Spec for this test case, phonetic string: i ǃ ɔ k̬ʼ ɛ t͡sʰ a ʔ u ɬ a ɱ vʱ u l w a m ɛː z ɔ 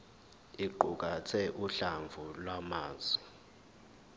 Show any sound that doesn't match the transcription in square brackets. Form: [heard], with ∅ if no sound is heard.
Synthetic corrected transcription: i ǃ [u] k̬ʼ [a] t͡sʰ [ɛ] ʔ u ɬ a ɱ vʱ u l w a m [aː] z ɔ